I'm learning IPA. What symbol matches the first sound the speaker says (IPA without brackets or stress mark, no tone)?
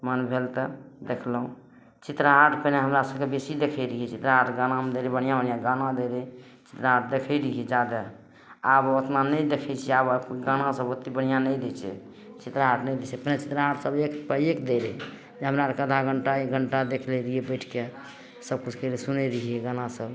m